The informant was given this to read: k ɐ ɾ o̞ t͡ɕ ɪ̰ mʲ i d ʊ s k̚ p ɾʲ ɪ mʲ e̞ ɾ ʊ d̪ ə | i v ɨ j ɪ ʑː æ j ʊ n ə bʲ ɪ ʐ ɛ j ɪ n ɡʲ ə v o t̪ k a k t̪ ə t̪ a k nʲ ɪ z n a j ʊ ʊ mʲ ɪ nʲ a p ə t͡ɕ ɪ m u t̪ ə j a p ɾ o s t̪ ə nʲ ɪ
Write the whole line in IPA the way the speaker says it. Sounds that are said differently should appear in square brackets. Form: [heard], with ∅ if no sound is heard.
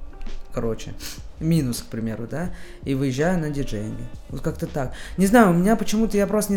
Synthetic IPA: k ɐ ɾ o̞ t͡ɕ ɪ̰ mʲ i [n] ʊ s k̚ p ɾʲ ɪ mʲ e̞ ɾ ʊ d̪ [a] | i v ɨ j ɪ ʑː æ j ʊ n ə [dʲ] ɪ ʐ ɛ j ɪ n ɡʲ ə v o t̪ k a k t̪ ə t̪ a k nʲ ɪ z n a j ʊ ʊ mʲ ɪ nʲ a p ə t͡ɕ ɪ m u t̪ ə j a p ɾ o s t̪ ə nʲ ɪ